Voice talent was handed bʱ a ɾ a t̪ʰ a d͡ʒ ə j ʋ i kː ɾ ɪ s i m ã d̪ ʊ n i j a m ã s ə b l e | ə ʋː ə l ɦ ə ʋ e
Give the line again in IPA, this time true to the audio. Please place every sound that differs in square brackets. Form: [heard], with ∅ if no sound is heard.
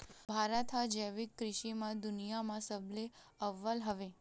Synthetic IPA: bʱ a ɾ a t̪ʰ a d͡ʒ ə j ʋ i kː ɾ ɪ [ʃ] i m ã d̪ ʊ n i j a m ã s ə b l e | ə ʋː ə l ɦ ə ʋ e